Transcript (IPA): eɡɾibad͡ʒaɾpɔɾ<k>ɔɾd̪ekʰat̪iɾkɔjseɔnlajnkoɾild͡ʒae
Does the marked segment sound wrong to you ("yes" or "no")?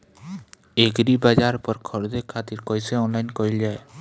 yes